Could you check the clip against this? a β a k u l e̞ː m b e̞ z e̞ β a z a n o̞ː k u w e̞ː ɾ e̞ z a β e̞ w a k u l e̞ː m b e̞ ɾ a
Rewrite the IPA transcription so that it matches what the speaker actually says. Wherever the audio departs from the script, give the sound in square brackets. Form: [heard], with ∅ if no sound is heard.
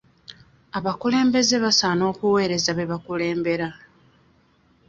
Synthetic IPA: a β a k u l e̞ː m b e̞ z e̞ β a [s] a n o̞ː k u w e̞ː ɾ e̞ z a β e̞ [β] a k u l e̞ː m b e̞ ɾ a